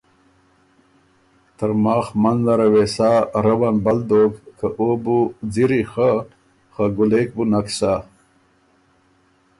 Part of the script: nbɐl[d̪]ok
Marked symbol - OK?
yes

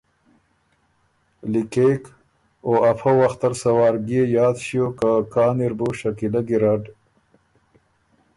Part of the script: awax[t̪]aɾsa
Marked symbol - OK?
yes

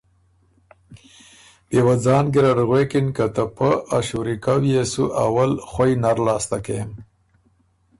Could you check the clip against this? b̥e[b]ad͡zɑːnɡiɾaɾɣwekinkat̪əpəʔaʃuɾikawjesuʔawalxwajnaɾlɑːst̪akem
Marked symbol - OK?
no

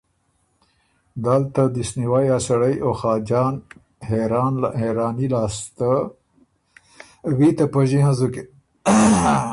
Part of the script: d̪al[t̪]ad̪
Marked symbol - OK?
yes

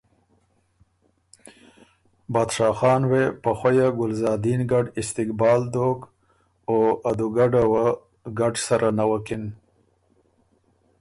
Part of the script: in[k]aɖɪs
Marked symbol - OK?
no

